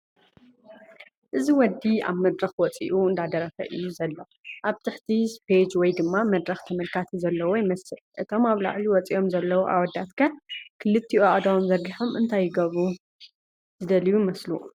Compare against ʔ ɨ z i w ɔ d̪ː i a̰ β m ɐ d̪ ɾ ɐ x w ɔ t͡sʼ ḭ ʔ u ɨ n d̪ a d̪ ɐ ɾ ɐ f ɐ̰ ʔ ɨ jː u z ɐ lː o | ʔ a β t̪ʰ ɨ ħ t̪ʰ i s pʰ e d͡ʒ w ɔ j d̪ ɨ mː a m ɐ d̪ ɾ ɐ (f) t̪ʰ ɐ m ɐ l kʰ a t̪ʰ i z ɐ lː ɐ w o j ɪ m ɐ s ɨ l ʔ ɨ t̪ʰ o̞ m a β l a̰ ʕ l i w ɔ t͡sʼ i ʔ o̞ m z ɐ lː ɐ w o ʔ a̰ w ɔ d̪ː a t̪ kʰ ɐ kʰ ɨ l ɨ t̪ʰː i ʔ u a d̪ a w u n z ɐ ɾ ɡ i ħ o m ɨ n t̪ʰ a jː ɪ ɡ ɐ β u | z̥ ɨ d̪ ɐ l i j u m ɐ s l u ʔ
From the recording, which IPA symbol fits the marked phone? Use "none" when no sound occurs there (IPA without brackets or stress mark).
x